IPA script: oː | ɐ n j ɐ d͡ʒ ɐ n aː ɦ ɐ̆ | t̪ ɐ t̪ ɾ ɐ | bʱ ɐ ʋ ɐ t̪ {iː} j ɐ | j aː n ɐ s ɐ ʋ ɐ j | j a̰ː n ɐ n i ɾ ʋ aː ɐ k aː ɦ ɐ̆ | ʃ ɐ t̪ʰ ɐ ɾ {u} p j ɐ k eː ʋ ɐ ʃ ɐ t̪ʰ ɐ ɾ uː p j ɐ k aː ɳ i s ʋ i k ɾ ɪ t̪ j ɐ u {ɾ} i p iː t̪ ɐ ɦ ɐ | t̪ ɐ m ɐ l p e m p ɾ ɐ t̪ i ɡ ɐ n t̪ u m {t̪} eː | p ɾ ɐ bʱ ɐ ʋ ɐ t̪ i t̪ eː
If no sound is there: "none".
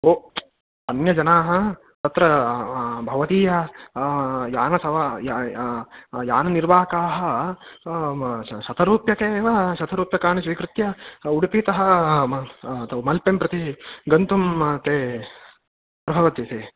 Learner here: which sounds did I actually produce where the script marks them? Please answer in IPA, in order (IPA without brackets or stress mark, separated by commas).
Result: iː, uː, ɽ, t̪